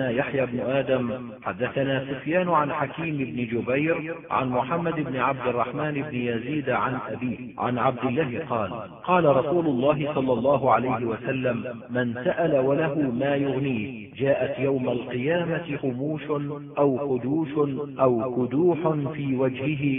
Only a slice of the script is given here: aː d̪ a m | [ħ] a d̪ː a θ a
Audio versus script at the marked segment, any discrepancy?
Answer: no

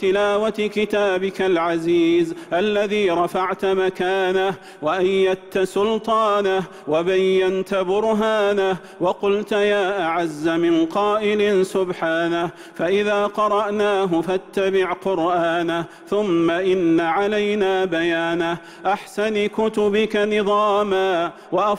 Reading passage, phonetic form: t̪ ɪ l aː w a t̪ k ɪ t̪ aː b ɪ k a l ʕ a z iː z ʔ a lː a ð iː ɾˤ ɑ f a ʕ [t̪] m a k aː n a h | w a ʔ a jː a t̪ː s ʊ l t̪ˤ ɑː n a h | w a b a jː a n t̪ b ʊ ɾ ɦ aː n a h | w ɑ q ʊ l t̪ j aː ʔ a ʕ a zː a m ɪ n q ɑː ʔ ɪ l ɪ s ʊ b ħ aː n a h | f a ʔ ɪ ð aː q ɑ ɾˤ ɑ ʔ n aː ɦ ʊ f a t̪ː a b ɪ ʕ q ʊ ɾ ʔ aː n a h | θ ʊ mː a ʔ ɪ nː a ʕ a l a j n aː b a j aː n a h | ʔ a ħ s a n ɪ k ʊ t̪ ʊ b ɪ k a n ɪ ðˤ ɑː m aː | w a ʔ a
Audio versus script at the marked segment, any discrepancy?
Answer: no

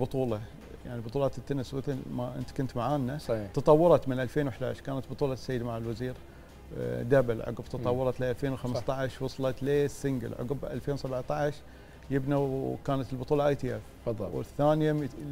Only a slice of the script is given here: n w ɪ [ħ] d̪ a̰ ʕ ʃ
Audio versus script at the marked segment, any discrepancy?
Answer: no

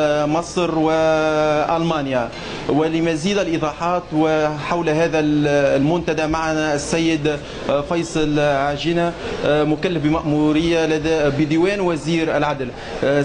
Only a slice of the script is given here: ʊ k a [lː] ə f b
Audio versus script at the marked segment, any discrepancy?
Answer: no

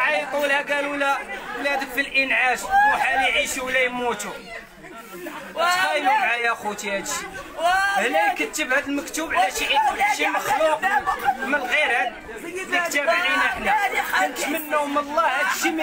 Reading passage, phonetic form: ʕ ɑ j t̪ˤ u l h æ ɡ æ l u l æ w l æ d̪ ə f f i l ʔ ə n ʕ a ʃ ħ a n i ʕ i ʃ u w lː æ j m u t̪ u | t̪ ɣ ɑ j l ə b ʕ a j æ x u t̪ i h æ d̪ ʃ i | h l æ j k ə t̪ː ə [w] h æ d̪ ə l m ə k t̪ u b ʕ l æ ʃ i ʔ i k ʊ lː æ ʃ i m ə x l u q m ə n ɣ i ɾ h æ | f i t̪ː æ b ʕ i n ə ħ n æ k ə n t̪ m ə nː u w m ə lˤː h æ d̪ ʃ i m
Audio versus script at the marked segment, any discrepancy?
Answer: yes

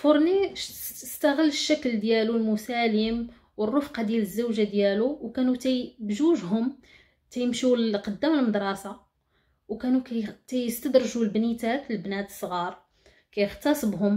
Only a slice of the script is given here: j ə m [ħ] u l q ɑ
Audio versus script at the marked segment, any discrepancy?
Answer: yes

